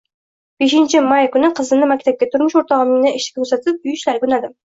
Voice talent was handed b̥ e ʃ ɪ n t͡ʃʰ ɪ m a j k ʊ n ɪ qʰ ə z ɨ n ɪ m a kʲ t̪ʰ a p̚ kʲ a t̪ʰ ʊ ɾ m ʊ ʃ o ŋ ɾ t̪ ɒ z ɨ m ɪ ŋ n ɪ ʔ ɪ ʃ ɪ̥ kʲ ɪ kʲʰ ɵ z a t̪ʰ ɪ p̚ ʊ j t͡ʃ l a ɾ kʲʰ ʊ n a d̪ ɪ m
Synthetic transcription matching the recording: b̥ e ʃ ɪ n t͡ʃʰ ɪ m a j k ʊ n ɪ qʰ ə z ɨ n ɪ m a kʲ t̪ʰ a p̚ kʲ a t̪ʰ ʊ ɾ m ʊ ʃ o ɾ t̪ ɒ ʁ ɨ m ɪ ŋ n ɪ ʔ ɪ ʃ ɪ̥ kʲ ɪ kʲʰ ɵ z a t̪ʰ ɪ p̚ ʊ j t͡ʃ l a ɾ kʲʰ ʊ n a d̪ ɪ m